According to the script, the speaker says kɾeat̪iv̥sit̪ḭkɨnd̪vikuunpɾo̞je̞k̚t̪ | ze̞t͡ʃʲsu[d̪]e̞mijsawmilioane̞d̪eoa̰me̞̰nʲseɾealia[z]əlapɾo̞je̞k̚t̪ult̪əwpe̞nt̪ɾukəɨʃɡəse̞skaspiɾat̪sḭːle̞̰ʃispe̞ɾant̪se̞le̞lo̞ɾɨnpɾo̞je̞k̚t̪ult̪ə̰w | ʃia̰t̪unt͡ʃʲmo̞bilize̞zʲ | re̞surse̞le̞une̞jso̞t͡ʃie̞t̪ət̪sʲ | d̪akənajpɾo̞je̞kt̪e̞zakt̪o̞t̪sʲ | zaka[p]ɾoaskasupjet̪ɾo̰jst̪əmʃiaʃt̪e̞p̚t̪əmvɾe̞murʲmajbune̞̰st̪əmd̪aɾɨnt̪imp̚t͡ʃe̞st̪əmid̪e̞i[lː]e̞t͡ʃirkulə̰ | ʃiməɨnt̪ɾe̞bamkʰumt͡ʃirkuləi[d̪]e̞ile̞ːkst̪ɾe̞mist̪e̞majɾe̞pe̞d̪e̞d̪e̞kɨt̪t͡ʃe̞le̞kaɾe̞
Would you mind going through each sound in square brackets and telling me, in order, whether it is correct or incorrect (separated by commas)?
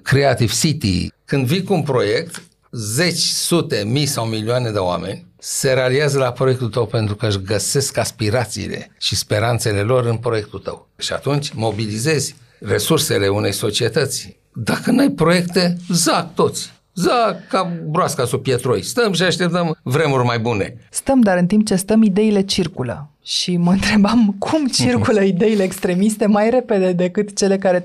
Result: incorrect, correct, incorrect, incorrect, correct